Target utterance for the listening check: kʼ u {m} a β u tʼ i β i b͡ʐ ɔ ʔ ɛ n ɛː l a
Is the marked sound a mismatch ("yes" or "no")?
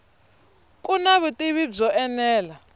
yes